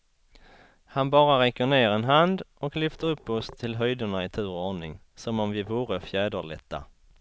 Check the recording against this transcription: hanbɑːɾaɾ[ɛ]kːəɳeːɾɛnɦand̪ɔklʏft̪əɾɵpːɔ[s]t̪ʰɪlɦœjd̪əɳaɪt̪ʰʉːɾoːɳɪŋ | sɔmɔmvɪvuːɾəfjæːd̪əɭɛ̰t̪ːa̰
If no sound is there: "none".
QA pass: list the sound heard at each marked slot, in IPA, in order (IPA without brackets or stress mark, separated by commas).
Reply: ɛ, s